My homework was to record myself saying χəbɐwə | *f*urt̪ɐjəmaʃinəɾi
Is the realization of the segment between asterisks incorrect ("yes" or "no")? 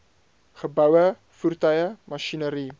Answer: no